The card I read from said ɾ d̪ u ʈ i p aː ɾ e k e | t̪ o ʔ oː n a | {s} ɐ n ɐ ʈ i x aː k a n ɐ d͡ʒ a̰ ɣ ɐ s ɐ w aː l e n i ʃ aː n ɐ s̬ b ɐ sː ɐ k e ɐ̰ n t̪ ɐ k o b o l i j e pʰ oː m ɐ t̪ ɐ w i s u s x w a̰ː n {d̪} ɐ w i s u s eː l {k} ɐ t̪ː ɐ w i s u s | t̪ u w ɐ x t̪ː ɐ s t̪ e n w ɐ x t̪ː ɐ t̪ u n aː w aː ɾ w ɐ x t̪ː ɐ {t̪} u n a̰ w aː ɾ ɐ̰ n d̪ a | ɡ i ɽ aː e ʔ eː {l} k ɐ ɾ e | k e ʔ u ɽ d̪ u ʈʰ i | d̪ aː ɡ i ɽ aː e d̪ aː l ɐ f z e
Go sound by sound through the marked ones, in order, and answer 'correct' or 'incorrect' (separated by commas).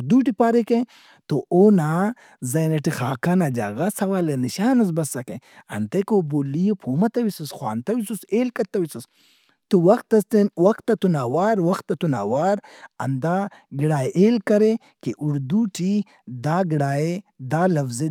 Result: incorrect, incorrect, correct, correct, correct